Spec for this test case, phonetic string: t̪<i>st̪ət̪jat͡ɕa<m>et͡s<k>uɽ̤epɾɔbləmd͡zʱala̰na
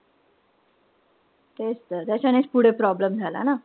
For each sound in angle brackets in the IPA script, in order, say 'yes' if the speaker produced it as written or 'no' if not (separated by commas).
no, no, no